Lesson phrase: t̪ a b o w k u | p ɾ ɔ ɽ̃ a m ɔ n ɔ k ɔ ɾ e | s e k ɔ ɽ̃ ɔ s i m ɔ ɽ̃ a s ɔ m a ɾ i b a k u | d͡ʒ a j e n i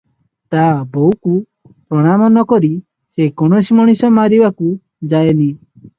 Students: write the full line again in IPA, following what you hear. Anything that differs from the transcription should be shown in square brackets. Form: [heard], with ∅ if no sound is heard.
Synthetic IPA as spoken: t̪ a b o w k u | p ɾ ɔ ɽ̃ a m ɔ n ɔ k ɔ ɾ [i] | s e k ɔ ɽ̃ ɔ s i m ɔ ɽ̃ [i] s ɔ m a ɾ i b a k u | d͡ʒ a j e n i